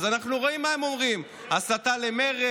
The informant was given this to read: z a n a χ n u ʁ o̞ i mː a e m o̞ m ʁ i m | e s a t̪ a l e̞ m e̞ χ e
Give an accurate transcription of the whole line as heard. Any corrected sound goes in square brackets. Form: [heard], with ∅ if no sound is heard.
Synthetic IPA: z a n a χ n u ʁ o̞ i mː a e m o̞ m ʁ i m | [a] s a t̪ a l e̞ m e̞ [ʁ] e